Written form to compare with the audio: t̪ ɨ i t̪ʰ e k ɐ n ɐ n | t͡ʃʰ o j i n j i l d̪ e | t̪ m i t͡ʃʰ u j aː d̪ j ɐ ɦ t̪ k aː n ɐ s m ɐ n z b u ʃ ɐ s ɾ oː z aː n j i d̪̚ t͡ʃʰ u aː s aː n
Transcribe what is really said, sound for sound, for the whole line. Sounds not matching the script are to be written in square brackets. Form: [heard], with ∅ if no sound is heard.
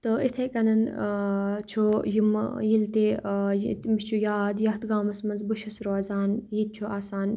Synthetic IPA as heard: t̪ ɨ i t̪ʰ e k ɐ n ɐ n | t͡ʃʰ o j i [m] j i l [t̪] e | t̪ m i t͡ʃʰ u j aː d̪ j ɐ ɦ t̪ [ɡ] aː [m] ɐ s m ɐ n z b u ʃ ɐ s ɾ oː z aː n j i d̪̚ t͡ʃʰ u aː s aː n